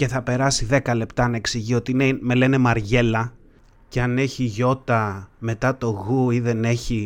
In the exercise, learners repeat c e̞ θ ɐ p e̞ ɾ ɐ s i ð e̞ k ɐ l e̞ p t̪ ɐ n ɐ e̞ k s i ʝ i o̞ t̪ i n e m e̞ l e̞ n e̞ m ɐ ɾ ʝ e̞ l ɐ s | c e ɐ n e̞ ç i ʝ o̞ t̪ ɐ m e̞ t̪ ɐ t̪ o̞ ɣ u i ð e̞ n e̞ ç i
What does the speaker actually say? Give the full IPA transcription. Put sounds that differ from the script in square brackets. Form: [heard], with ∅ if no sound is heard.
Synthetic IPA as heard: c e̞ θ ɐ p e̞ ɾ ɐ s i ð e̞ k ɐ l e̞ p t̪ ɐ n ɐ e̞ k s i ʝ i o̞ t̪ i n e m e̞ l e̞ n e̞ m ɐ ɾ ʝ e̞ l ɐ [∅] | c e ɐ n e̞ ç i ʝ o̞ t̪ ɐ m e̞ t̪ ɐ t̪ o̞ ɣ u i ð e̞ n e̞ ç i